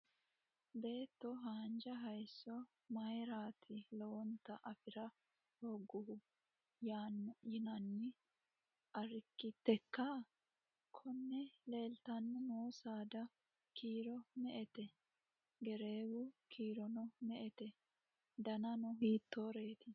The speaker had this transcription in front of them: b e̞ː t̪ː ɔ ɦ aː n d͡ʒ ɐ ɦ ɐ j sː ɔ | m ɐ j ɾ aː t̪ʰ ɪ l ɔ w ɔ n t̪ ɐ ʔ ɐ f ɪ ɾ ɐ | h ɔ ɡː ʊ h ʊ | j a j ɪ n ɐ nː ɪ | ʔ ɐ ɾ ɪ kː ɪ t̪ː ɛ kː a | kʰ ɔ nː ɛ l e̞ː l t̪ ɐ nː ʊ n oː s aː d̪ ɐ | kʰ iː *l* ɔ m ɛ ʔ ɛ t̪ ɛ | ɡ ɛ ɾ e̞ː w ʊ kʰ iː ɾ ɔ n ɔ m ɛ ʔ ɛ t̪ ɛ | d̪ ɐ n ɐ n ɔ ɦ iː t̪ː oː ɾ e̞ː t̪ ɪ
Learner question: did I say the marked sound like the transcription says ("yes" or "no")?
no